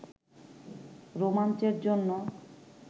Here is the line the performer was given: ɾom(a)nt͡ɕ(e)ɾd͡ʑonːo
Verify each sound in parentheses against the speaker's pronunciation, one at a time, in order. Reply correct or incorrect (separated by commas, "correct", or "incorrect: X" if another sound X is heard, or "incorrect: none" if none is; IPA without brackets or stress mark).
correct, correct